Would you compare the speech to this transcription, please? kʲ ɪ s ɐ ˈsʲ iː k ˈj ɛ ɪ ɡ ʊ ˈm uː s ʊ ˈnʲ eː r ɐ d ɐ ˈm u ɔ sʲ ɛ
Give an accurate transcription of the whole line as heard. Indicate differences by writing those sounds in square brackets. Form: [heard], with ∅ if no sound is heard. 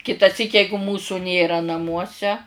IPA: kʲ ɪ [t] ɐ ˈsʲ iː k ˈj ɛ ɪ ɡ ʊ ˈm uː s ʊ ˈnʲ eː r ɐ [n] ɐ ˈm u ɔ sʲ ɛ